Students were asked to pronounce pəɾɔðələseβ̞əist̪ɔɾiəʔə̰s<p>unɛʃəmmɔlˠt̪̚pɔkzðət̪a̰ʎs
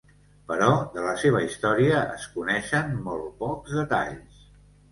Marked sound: incorrect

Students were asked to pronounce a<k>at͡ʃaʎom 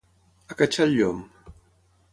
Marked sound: correct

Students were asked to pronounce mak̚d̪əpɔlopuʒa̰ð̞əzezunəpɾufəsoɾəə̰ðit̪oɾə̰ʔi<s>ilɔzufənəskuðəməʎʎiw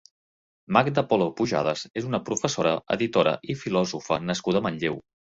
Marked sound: incorrect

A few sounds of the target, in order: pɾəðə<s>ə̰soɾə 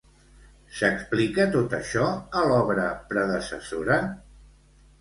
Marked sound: correct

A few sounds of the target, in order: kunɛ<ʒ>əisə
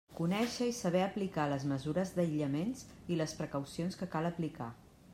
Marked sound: incorrect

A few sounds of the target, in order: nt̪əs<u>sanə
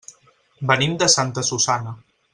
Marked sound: correct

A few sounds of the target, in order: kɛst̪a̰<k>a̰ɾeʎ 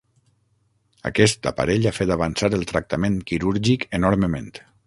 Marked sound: incorrect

